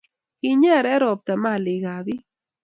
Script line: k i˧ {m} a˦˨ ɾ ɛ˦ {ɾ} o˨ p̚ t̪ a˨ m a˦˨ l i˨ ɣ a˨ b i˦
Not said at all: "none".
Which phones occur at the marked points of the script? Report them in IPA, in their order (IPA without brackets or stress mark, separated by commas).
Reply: ɲ, ɾ